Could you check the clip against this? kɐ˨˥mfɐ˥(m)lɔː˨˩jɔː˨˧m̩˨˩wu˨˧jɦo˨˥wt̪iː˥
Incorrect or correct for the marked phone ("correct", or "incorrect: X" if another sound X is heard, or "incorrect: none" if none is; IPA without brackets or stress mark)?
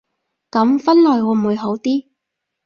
incorrect: n